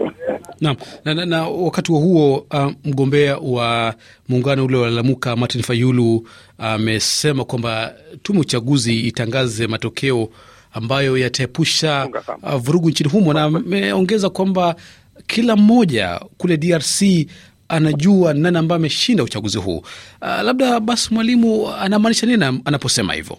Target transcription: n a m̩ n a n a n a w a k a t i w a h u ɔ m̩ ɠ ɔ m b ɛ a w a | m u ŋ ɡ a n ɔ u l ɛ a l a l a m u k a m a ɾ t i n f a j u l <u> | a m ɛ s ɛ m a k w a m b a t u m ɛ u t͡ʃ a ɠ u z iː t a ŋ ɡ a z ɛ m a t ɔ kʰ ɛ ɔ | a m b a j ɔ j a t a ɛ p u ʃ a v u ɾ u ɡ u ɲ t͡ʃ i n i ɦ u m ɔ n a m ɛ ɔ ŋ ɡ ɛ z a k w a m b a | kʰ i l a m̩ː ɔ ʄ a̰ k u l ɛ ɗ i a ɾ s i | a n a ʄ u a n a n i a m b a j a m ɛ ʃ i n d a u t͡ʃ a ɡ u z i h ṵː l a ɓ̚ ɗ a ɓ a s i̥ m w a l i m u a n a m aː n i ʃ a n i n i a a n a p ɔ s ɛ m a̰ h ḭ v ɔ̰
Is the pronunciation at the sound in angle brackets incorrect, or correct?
correct